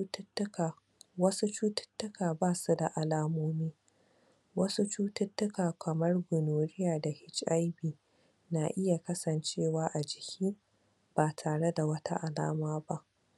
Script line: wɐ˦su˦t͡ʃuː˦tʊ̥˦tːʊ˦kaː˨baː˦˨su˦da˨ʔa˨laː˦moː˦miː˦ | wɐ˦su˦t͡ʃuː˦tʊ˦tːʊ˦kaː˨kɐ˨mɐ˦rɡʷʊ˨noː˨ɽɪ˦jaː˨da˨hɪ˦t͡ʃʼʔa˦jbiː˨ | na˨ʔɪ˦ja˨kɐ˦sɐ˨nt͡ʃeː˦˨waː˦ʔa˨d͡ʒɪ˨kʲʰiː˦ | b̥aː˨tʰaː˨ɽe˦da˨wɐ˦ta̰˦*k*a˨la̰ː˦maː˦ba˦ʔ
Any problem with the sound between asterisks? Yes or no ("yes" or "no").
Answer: yes